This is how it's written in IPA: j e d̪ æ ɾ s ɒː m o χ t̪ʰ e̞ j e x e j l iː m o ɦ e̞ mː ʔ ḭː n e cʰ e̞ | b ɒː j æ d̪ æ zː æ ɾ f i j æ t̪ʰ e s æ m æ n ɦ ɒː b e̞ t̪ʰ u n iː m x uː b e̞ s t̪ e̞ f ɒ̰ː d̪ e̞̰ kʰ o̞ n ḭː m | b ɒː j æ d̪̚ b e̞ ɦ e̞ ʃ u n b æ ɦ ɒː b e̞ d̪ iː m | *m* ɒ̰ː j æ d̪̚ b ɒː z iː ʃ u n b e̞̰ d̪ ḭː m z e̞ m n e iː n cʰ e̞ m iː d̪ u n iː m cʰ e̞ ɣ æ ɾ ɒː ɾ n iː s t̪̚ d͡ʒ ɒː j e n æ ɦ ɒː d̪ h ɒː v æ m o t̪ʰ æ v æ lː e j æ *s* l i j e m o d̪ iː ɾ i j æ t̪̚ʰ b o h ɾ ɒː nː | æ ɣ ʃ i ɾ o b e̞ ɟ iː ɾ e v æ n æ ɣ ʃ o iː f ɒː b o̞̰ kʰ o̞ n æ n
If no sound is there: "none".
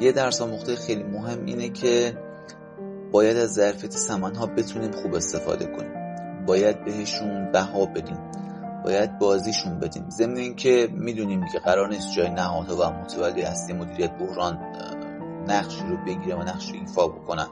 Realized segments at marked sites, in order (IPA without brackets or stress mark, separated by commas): b, s